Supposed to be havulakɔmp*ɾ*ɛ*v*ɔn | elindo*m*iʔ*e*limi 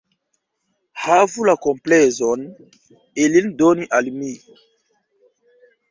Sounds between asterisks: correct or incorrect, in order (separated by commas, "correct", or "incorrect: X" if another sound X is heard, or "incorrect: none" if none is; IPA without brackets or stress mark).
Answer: incorrect: l, incorrect: z, incorrect: n, incorrect: a